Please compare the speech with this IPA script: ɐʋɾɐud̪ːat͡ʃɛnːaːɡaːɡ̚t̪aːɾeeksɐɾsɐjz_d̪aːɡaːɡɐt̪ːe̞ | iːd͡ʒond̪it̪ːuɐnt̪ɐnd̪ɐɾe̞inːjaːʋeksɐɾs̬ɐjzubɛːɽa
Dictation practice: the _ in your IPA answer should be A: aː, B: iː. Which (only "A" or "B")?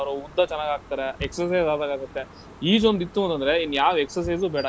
A